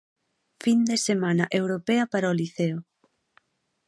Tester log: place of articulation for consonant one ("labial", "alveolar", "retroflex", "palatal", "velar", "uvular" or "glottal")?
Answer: labial